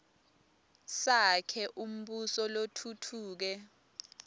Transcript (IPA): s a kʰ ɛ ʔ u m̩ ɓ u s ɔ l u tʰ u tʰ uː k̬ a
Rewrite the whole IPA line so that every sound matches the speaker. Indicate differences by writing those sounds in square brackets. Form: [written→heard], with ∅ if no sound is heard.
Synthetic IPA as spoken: s a kʰ ɛ ʔ u m̩ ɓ u s ɔ l [u→o] tʰ u tʰ uː k̬ [a→ɛ]